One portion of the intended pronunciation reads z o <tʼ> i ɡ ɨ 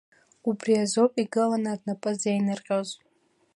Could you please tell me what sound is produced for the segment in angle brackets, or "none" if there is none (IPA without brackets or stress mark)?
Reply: pʼ